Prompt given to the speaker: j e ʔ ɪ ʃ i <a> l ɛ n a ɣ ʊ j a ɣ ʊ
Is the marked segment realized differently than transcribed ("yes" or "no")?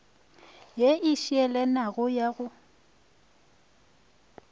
yes